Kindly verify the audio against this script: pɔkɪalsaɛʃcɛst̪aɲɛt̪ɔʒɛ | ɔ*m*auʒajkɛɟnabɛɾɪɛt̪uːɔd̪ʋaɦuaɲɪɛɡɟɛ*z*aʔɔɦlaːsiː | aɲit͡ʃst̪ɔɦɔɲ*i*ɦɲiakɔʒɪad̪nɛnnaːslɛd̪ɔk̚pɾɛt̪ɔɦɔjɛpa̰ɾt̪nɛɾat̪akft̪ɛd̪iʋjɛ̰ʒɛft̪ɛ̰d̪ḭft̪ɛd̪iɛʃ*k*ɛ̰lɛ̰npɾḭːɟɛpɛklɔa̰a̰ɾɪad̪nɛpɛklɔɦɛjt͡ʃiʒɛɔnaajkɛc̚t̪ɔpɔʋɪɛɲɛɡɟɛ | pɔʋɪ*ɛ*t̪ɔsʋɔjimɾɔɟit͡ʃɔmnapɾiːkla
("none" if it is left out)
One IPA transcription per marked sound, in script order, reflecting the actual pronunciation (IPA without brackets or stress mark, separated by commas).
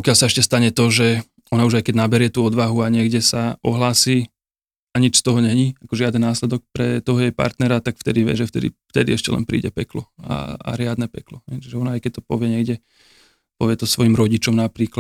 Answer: n, s, ɛ, c, ɛ